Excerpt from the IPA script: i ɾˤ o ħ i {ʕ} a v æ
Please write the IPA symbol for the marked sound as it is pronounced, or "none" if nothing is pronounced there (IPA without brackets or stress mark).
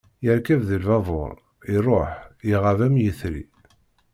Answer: ʁ